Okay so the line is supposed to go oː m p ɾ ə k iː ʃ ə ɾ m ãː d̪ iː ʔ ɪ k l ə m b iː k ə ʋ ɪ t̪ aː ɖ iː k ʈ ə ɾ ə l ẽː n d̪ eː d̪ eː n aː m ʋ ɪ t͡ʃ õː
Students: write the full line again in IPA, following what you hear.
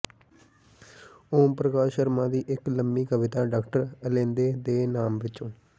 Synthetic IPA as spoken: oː m p ɾ ə k aː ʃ ə ɾ m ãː d̪ iː ʔ ɪ k l ə m b iː k ə ʋ ɪ t̪ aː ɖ aː k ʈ ə ɾ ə l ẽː n d̪ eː d̪ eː n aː m ʋ ɪ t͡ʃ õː